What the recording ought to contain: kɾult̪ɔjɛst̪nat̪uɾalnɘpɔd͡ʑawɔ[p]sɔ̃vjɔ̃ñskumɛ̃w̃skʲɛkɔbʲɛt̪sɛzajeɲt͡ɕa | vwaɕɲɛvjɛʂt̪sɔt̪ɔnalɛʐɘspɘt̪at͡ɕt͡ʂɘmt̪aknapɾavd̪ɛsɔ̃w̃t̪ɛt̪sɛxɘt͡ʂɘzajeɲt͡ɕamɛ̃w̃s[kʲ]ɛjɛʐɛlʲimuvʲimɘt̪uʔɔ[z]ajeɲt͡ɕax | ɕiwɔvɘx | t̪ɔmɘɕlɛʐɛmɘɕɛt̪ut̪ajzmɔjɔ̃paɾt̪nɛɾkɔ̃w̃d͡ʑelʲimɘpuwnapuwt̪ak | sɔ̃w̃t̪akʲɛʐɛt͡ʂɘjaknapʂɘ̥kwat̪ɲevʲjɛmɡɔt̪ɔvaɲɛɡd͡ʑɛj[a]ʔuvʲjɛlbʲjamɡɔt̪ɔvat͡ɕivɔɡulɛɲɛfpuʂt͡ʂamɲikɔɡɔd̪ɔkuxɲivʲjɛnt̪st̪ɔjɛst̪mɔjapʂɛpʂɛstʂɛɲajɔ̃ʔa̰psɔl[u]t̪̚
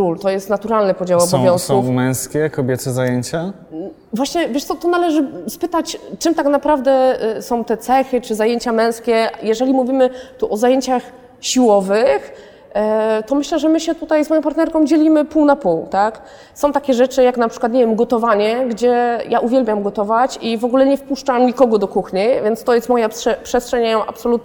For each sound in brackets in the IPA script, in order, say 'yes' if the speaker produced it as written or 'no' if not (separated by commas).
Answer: no, yes, yes, yes, yes